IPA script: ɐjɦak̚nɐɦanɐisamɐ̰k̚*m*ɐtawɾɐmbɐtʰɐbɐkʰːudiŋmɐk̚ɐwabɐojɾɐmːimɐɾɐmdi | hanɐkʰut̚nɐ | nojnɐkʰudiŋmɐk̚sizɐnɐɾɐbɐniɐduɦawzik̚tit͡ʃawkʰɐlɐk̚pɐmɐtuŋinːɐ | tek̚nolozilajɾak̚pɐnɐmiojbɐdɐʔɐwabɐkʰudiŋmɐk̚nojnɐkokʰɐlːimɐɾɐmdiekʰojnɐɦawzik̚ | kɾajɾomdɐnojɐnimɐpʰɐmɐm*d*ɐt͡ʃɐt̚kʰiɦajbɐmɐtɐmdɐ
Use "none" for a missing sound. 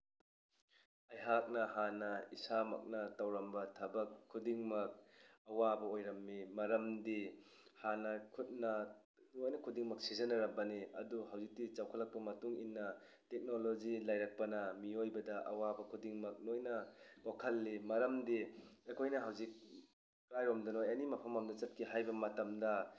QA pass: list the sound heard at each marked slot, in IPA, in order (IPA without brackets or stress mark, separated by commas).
n, d